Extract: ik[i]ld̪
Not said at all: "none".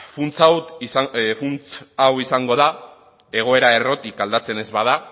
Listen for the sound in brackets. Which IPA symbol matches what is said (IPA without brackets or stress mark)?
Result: a